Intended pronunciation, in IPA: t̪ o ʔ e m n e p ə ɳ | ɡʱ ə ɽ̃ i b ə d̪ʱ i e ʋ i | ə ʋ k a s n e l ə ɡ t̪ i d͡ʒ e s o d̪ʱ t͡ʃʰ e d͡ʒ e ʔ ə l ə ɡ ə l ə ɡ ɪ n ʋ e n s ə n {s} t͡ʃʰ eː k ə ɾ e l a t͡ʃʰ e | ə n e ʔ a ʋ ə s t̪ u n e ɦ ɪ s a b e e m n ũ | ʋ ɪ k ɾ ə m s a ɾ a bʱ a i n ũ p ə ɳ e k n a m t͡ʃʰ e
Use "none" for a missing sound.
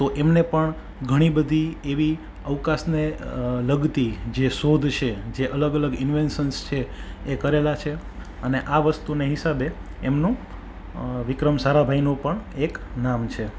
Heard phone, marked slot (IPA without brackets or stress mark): s